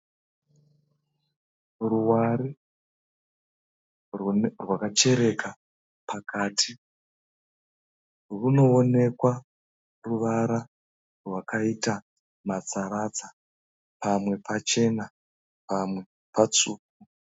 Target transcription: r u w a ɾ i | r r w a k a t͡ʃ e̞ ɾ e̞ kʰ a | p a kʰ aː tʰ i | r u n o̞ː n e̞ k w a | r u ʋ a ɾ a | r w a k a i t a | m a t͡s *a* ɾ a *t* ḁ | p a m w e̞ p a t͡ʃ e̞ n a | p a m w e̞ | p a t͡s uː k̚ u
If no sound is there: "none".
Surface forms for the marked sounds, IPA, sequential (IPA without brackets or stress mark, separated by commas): a, t͡s